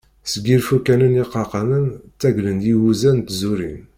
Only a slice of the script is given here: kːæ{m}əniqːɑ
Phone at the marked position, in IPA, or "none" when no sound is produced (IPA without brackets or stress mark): n